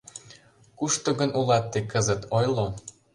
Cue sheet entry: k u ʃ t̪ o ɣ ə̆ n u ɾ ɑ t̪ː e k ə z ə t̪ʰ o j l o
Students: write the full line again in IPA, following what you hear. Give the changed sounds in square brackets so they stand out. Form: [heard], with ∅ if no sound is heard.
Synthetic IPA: k u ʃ t̪ o ɣ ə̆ n u [l] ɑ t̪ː e k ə z ə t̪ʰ o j l o